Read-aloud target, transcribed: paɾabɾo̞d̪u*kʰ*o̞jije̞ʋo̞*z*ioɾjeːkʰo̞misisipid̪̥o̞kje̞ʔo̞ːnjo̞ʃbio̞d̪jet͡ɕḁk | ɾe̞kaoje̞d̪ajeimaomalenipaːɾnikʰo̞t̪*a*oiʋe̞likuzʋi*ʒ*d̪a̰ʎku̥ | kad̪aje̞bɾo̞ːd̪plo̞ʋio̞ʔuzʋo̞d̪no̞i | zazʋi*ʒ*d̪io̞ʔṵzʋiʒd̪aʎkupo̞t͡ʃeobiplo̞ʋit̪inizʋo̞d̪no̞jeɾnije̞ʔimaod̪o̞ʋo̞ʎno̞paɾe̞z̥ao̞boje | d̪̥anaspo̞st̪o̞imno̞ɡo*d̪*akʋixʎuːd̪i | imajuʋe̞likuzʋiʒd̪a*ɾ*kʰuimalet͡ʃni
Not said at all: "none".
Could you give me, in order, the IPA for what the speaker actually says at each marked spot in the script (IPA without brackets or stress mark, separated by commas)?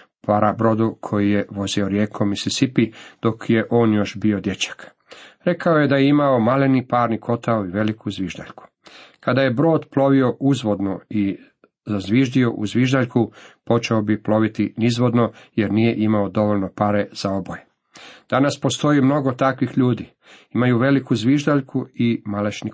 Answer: kʰ, z, a, ʒ, ʒ, t̪, ʎ